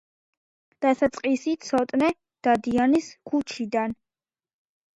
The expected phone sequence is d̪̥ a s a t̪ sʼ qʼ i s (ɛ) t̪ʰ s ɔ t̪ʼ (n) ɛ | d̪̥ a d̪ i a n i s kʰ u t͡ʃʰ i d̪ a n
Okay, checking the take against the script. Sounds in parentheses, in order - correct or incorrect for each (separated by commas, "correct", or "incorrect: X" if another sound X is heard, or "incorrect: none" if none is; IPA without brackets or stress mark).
incorrect: i, correct